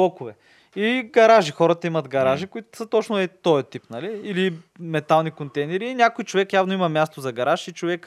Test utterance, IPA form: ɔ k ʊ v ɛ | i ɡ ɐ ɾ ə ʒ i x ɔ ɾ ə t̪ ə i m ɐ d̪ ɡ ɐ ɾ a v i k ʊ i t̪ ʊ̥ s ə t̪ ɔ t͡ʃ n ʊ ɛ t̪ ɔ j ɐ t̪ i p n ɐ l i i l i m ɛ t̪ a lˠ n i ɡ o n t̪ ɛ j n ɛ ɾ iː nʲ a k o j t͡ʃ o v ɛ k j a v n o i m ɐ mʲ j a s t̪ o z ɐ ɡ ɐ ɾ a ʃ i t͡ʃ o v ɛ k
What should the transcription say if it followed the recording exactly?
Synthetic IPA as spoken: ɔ k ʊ v ɛ | i ɡ ɐ ɾ a ʒ i x ɔ ɾ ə t̪ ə i m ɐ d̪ ɡ ɐ ɾ a ʒ i k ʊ i t̪ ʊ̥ s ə t̪ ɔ t͡ʃ n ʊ ɛ t̪ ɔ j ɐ t̪ i p n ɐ l i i l i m ɛ t̪ a lˠ n i k o n t̪ ɛ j n ɛ ɾ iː nʲ a k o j t͡ʃ o v ɛ k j a v n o i m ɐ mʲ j a s t̪ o z ɐ ɡ ɐ ɾ a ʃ i t͡ʃ o v ɛ k